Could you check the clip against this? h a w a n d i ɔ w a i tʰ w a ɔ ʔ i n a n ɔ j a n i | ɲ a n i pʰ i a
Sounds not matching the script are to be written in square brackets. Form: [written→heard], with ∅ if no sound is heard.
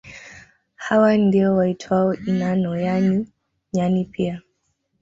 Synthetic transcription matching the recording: h a w a n d i ɔ w a i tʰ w a ɔ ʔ i n a n ɔ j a n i | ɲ a n i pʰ i a